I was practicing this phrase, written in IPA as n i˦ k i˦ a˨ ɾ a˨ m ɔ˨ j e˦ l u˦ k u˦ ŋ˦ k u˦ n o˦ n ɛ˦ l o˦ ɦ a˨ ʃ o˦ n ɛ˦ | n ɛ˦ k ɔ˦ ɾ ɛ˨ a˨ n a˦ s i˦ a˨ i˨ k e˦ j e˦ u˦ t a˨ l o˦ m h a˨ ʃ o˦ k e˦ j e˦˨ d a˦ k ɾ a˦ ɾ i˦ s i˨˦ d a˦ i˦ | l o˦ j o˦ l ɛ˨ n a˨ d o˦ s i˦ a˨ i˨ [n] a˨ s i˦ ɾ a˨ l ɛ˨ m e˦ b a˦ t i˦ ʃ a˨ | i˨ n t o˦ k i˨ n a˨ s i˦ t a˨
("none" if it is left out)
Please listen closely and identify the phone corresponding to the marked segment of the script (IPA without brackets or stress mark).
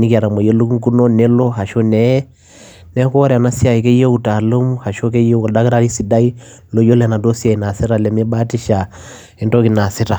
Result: n